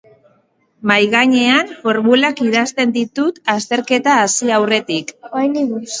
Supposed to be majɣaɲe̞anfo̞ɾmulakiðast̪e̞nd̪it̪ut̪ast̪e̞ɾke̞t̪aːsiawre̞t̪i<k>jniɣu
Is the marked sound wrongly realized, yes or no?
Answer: no